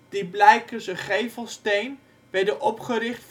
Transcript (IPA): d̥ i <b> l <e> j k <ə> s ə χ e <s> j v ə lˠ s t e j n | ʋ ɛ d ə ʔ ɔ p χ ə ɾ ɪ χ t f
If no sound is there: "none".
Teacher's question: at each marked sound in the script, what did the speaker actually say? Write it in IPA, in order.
b, ɛ, ə, none

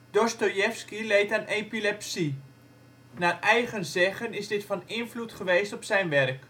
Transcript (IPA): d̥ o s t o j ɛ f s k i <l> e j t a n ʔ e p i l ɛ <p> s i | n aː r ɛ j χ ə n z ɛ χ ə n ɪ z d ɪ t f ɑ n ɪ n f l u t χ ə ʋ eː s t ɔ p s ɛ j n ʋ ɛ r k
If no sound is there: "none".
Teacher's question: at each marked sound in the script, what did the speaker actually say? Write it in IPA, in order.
l, p

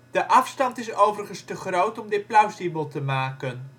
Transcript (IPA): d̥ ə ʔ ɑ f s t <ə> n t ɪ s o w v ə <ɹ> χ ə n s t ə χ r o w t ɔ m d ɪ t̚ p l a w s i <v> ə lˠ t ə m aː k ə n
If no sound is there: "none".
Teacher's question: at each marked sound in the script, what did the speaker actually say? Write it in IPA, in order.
ɑ, r, b

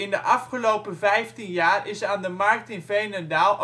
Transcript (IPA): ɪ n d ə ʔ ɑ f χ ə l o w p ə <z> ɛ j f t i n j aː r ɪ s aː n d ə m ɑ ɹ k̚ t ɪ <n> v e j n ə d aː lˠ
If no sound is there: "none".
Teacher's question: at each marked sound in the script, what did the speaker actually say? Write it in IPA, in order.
v, n

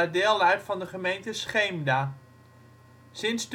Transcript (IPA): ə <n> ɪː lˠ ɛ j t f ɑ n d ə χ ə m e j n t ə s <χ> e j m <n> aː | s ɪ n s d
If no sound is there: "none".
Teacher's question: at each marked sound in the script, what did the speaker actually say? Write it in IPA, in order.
d, χ, d

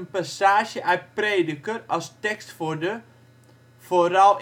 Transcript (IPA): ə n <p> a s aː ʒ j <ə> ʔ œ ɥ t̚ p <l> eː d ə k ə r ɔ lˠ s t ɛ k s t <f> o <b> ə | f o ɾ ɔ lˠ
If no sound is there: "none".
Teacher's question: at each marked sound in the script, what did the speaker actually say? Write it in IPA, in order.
p, ə, r, f, d

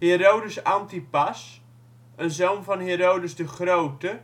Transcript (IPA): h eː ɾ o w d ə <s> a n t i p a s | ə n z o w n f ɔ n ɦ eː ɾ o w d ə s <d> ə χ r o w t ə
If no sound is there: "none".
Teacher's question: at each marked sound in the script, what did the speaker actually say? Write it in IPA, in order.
s, d

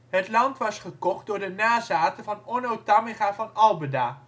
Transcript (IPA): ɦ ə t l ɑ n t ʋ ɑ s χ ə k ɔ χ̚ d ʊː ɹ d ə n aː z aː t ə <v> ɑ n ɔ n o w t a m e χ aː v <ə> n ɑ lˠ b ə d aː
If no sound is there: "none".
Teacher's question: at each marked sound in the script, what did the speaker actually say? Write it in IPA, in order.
v, ɑ

